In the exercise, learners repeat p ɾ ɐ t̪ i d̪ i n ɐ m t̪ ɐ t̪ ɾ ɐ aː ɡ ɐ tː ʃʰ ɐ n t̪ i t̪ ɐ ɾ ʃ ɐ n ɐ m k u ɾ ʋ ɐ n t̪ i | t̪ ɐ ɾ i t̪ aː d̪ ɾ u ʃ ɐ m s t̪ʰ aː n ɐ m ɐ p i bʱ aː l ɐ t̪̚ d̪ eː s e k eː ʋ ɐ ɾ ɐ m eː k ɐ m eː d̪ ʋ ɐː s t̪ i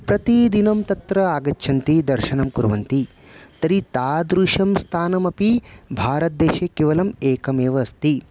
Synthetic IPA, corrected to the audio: p ɾ ɐ t̪ i d̪ i n ɐ m t̪ ɐ t̪ ɾ ɐ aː ɡ ɐ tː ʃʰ ɐ n t̪ i d̪ ɐ ɾ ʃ ɐ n ɐ m k u ɾ ʋ ɐ n t̪ i | t̪ ɐ ɾ i t̪ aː d̪ ɾ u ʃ ɐ m s t̪ʰ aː n ɐ m ɐ p i bʱ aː ɾ ɐ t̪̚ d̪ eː ʃ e k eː ʋ ɐ l ɐ m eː k ɐ m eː ʋ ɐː s t̪ i